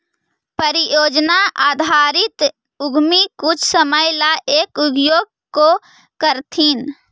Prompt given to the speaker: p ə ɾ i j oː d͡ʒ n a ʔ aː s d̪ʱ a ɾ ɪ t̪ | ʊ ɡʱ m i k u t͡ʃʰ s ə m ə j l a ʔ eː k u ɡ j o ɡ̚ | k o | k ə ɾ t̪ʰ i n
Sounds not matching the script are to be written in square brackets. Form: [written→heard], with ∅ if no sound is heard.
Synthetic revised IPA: p ə ɾ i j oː d͡ʒ n a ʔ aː [s→∅] d̪ʱ a ɾ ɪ t̪ | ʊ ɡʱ m i k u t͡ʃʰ s ə m ə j l a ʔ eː k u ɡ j o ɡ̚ | k o | k ə ɾ t̪ʰ i n